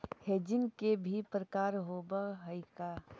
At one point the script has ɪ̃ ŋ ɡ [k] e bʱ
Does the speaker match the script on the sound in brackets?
yes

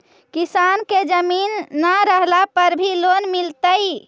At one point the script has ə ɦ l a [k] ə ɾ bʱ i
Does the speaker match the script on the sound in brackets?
no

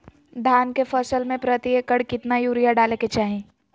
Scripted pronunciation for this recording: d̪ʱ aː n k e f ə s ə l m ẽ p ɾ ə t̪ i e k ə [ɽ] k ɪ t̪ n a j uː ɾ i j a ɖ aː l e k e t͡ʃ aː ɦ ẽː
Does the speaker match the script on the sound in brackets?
yes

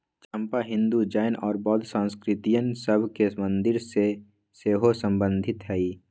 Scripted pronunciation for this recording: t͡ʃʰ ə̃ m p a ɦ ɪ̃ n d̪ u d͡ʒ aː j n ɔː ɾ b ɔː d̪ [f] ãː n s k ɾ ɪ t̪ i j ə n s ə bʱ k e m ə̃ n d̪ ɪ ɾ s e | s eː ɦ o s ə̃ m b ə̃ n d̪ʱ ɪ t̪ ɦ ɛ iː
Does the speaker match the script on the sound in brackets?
no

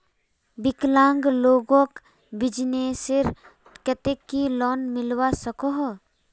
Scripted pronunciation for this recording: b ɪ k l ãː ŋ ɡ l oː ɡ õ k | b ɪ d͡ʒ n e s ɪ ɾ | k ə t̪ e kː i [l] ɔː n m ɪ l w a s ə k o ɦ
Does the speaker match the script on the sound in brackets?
yes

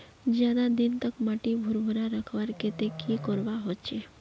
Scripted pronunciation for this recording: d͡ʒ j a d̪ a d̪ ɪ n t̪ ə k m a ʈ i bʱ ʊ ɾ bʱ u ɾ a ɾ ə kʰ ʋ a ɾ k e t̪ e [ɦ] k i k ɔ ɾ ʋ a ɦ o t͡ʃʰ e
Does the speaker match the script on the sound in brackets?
no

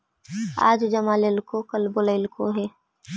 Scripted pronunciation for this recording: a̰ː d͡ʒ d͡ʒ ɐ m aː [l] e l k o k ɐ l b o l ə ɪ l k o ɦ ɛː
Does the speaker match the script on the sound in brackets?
yes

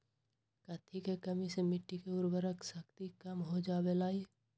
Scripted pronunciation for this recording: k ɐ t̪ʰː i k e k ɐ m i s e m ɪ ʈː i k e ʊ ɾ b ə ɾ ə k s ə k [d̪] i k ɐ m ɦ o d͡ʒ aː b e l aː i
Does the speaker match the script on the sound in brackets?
no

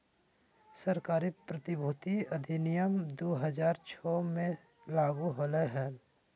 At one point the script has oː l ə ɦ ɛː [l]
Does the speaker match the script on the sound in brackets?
yes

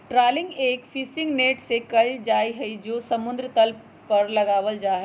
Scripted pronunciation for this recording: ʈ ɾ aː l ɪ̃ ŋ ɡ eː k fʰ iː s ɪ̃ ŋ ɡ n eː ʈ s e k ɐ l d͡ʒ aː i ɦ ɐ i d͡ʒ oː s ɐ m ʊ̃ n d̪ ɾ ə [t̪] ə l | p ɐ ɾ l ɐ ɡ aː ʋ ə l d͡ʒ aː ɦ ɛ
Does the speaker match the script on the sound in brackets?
yes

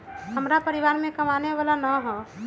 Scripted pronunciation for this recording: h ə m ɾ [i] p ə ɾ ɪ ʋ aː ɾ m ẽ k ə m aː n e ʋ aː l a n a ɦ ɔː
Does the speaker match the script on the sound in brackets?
no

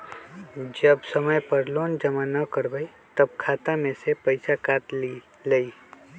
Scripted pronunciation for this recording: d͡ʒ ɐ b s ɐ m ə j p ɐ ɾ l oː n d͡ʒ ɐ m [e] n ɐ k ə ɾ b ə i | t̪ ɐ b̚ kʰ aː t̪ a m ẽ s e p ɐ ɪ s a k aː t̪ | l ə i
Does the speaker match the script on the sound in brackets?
no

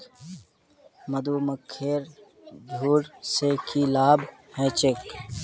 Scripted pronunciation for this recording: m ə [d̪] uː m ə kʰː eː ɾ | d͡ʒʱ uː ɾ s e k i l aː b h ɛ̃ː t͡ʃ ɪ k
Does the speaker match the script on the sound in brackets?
yes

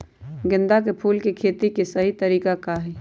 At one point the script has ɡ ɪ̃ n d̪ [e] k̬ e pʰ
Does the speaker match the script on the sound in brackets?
no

